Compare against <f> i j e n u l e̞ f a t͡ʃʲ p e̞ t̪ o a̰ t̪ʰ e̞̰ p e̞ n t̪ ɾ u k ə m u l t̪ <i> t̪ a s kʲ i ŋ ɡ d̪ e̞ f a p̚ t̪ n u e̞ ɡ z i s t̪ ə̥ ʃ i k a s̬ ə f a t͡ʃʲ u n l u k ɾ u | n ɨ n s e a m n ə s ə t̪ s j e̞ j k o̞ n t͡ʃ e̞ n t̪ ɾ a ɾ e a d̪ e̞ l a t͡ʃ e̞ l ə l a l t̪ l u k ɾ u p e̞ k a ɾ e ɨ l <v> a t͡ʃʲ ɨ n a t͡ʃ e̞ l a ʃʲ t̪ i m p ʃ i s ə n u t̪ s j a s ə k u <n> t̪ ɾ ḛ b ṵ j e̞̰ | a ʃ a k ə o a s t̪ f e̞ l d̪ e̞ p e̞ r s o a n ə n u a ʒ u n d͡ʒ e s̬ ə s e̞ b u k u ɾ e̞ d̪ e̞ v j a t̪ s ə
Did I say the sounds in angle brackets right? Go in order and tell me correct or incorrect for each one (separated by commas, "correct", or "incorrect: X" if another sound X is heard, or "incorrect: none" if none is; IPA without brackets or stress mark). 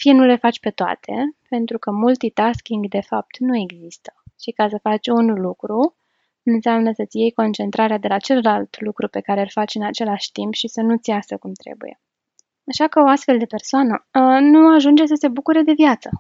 correct, correct, incorrect: f, incorrect: m